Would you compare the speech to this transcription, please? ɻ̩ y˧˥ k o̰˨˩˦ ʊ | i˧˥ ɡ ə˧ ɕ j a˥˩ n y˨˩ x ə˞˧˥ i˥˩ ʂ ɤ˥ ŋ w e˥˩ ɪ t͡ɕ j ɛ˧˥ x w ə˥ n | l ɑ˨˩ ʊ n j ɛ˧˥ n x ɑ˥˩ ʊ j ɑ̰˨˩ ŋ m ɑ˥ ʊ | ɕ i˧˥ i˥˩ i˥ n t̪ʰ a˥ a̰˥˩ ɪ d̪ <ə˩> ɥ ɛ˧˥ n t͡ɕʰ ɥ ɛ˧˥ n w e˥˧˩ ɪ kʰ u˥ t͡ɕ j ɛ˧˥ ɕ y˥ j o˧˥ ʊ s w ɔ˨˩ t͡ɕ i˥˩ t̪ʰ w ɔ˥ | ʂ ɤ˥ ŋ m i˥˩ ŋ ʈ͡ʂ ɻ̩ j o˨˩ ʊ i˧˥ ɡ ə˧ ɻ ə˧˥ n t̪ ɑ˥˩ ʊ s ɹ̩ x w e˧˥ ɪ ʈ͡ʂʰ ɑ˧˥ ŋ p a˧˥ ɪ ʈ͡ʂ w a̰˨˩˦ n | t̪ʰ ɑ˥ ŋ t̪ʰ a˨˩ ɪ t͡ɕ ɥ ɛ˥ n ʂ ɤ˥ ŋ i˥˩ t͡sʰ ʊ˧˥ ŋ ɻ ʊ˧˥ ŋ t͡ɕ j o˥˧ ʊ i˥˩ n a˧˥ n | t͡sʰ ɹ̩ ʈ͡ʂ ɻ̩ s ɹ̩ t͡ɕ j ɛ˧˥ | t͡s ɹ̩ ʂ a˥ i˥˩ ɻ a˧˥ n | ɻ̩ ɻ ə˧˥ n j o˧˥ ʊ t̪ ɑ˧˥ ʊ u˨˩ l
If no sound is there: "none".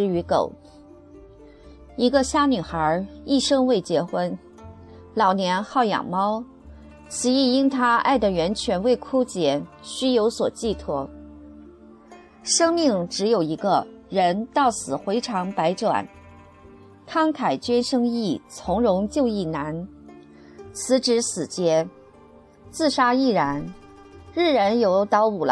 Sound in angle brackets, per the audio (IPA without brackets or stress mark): ə˩